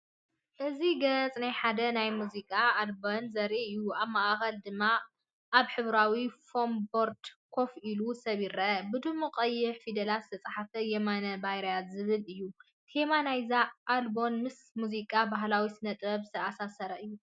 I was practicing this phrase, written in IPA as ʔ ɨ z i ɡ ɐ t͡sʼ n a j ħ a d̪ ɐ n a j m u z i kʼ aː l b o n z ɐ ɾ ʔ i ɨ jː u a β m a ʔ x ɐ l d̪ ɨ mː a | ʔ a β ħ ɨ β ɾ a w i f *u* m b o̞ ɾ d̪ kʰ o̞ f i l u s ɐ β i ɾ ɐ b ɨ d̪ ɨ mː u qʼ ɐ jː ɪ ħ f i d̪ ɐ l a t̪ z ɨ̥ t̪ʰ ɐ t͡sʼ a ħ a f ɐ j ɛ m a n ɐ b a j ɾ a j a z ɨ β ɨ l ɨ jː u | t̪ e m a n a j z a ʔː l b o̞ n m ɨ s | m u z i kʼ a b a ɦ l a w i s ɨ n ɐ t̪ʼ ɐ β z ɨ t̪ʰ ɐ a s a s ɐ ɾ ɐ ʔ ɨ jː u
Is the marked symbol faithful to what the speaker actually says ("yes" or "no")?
no